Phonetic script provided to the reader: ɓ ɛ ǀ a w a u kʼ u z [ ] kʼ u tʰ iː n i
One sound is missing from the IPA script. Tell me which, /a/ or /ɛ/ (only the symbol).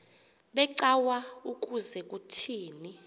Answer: ɛ